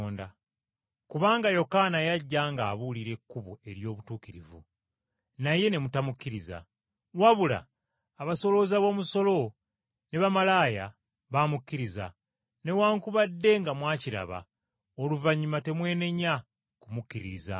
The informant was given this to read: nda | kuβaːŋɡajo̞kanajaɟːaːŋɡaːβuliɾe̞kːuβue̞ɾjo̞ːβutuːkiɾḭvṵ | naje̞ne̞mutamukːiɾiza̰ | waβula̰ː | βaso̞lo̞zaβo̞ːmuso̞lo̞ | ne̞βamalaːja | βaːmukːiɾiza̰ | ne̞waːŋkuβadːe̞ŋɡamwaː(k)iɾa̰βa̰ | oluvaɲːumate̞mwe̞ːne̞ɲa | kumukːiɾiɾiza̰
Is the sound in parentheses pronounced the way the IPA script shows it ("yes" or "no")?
no